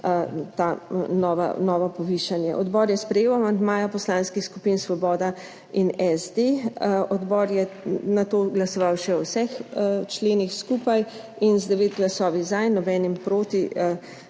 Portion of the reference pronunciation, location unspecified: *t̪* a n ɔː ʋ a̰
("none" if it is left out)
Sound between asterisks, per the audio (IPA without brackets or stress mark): t̪